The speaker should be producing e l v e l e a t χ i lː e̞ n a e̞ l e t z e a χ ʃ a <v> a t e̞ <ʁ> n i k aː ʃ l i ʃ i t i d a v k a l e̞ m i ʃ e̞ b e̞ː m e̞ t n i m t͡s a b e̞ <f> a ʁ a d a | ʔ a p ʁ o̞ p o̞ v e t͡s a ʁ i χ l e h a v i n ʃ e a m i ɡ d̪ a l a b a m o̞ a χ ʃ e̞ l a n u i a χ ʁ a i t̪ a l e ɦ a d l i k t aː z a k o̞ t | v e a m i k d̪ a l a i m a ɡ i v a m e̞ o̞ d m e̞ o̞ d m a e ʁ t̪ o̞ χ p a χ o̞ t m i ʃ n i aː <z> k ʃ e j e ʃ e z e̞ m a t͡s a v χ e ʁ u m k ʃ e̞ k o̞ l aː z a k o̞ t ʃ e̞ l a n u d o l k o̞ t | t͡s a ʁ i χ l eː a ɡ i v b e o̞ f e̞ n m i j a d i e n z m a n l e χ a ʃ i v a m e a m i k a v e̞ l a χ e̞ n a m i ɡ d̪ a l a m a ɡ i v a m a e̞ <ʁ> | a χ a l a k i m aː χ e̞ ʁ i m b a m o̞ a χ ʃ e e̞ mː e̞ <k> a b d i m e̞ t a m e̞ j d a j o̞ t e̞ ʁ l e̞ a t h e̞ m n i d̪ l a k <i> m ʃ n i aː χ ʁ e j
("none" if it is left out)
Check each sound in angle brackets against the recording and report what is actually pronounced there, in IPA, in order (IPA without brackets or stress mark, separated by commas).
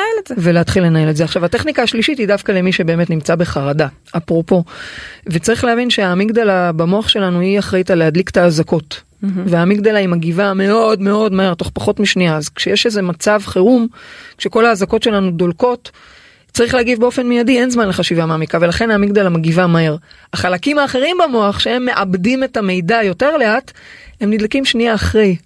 v, χ, χ, z, ʁ, ʔ, i